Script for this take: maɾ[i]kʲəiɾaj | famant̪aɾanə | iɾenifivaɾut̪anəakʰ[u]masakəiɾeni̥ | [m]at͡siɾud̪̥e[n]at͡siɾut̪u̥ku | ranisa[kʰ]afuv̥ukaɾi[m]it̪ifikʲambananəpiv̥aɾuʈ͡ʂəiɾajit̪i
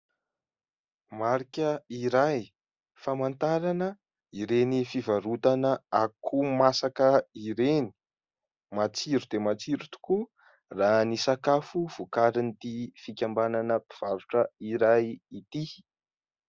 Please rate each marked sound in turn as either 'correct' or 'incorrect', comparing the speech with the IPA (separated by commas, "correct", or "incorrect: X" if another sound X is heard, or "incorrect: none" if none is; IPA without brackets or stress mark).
correct, correct, correct, incorrect: m, incorrect: k, incorrect: n